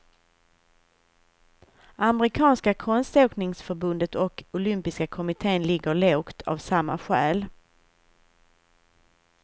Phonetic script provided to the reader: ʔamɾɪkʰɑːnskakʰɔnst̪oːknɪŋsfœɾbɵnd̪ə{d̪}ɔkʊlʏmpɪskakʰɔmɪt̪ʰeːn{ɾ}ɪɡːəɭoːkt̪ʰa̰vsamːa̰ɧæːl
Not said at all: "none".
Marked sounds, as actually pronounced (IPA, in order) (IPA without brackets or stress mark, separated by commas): t̪, l